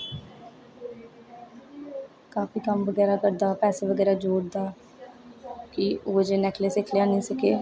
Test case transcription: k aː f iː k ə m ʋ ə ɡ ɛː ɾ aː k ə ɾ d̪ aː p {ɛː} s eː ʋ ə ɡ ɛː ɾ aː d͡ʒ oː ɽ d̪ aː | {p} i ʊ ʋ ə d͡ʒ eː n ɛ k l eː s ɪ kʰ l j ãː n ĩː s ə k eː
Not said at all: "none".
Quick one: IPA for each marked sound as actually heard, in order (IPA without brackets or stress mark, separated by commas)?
ɛː, k